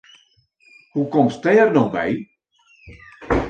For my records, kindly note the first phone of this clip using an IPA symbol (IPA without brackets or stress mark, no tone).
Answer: h